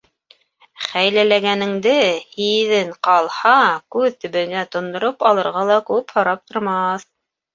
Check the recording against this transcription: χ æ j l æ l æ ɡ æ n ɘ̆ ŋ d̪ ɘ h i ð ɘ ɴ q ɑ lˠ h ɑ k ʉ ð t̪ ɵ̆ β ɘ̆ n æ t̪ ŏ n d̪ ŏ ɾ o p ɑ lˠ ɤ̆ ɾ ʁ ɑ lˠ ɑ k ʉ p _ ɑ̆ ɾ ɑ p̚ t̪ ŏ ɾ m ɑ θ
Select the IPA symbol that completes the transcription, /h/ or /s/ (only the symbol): h